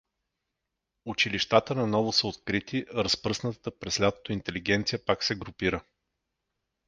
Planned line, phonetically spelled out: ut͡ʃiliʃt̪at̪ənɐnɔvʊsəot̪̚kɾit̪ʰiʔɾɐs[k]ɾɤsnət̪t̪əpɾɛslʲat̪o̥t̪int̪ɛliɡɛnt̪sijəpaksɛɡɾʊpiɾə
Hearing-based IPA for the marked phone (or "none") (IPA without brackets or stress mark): p